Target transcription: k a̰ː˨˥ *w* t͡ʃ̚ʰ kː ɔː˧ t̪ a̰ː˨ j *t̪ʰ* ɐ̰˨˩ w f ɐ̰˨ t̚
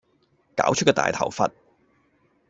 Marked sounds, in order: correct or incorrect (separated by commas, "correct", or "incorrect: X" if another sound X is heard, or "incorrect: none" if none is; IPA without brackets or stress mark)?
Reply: correct, correct